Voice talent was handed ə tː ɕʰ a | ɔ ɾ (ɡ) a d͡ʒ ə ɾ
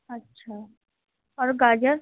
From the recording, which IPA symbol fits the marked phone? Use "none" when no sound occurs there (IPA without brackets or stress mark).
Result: ɡ